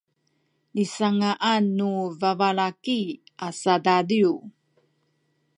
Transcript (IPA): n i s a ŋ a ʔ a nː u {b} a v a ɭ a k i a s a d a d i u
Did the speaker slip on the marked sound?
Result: yes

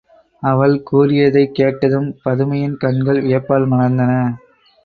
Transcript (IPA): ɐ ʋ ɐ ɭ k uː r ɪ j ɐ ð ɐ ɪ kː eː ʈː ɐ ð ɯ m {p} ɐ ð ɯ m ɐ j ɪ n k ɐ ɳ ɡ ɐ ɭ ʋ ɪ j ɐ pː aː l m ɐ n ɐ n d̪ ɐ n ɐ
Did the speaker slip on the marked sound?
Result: no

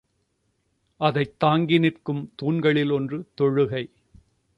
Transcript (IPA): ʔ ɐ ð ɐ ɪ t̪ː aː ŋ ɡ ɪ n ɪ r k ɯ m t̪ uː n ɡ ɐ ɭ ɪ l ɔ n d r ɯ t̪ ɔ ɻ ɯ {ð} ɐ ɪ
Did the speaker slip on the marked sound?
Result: yes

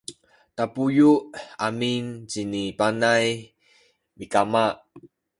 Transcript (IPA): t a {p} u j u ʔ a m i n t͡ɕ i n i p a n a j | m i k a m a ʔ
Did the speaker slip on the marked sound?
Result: no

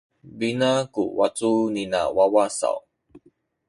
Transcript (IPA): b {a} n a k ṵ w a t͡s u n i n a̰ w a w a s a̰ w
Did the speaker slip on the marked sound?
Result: yes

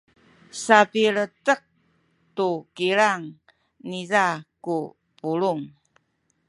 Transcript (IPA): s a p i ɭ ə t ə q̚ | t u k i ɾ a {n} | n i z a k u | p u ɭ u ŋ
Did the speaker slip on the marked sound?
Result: yes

